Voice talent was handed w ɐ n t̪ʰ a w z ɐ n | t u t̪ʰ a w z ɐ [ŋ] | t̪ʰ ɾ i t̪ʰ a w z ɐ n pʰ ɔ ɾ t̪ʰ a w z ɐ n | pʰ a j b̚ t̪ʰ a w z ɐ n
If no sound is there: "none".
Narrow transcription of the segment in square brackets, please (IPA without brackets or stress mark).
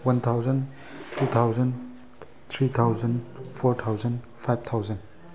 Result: n